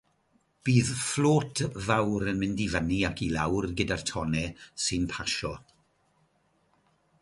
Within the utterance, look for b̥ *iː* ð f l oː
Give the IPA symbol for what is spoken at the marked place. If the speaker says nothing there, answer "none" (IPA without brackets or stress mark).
iː